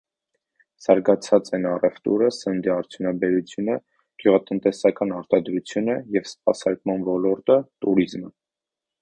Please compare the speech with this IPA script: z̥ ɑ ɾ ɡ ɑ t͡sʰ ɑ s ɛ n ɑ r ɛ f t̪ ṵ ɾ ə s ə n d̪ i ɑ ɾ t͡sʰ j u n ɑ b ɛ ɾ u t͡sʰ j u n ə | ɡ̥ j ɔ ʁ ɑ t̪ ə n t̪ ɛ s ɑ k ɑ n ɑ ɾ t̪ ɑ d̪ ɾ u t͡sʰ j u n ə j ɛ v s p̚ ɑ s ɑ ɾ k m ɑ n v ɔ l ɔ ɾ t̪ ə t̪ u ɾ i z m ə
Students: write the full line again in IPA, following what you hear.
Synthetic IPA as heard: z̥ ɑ ɾ ɡ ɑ t͡sʰ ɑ t͡s ɛ n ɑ r ɛ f t̪ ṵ ɾ ə s ə n d̪ i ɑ ɾ t͡sʰ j u n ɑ b ɛ ɾ u t͡sʰ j u n ə | ɡ̥ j u ʁ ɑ t̪ ə n t̪ ɛ s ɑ k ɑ n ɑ ɾ t̪ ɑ d̪ ɾ u t͡sʰ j u n ə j ɛ v s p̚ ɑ s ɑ ɾ k m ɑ n v ɔ l ɔ ɾ t̪ ə t̪ u ɾ i z m ə